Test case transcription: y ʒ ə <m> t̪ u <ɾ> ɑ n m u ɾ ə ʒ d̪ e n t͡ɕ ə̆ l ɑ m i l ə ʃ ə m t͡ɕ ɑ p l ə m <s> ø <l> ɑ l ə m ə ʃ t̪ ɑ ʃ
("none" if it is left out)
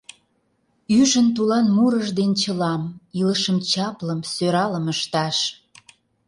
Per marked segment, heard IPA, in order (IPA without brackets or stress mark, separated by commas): n, l, s, ɾ